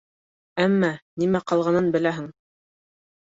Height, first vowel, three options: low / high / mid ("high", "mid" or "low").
low